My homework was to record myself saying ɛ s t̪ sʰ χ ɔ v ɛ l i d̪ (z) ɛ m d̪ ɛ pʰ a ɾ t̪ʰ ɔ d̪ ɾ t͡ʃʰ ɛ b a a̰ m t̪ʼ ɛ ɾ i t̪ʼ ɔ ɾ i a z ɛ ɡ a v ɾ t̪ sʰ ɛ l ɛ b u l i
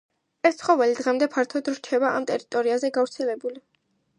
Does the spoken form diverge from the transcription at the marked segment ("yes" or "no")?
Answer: yes